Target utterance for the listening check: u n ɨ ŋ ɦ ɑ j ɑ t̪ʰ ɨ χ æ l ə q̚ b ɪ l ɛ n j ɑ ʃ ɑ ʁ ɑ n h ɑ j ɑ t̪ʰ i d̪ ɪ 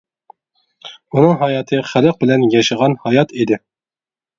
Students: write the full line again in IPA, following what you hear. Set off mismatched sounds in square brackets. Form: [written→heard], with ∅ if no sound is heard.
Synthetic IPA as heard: u n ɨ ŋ ɦ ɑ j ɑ t̪ʰ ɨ χ æ l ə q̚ b ɪ l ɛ n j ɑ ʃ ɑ ʁ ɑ n h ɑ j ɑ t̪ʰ i d̪ ɪ